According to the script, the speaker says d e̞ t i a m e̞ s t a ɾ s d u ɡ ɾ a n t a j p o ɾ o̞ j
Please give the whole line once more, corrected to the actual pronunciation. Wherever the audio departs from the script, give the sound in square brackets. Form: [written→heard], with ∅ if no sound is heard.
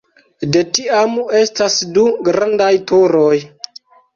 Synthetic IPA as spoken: d e̞ t i a m e̞ s t a [ɾ→∅] s d u ɡ ɾ a n [t→d] a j [p→t] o ɾ o̞ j